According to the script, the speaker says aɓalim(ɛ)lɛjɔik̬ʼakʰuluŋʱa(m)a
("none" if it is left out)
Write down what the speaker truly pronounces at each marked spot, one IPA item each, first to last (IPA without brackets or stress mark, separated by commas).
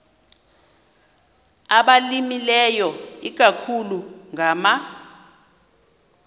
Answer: i, m